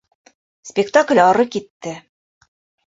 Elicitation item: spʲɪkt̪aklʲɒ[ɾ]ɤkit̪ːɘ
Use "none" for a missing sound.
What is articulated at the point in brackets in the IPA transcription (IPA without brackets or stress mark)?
ɾ